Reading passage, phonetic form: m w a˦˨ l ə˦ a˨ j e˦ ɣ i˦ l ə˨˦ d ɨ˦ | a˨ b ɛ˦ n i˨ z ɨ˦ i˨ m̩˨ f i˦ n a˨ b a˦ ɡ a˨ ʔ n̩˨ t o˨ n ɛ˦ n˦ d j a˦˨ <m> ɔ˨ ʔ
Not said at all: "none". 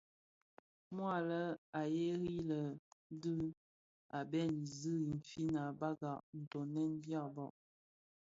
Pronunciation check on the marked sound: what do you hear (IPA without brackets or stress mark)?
b